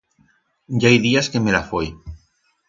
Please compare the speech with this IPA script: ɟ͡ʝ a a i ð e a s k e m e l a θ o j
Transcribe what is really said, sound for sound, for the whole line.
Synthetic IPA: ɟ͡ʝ a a j ð i a s k e m e l a f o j